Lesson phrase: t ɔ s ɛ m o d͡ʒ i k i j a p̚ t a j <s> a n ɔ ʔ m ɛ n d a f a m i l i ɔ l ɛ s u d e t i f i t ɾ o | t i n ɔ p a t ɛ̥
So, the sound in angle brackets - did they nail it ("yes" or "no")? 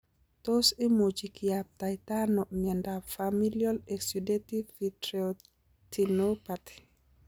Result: no